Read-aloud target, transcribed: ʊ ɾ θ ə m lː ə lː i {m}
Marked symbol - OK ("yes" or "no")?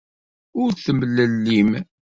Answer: yes